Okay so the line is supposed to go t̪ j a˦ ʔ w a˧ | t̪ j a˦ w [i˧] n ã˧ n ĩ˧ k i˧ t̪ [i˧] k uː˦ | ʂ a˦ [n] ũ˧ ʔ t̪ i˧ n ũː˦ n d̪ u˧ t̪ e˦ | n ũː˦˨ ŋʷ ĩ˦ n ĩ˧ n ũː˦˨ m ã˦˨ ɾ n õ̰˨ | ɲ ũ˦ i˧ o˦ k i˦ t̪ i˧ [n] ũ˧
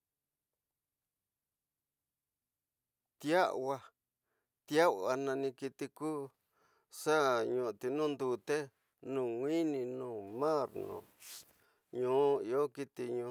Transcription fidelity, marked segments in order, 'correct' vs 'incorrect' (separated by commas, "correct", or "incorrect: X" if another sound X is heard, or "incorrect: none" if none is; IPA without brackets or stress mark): incorrect: a˧, correct, incorrect: ɲ, incorrect: ɲ